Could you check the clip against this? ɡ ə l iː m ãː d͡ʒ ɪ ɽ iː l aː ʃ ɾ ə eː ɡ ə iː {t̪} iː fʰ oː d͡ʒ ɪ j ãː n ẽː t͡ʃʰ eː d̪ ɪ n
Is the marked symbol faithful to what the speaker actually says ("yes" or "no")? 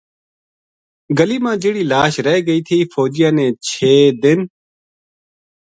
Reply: no